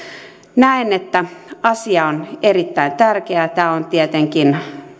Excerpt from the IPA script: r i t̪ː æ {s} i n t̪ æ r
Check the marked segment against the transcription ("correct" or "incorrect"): incorrect